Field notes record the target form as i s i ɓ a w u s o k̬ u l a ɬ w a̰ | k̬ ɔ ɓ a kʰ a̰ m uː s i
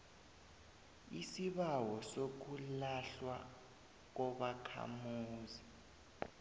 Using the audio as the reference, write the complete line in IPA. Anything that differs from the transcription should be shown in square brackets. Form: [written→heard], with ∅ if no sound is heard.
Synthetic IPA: i s i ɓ a w [u→ɔ] s o k̬ u l a ɬ w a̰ | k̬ ɔ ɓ a kʰ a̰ m uː [s→z] i